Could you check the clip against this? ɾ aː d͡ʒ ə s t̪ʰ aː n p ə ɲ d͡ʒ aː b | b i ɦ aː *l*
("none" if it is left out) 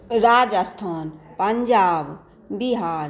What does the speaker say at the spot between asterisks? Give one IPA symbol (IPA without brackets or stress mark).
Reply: ɾ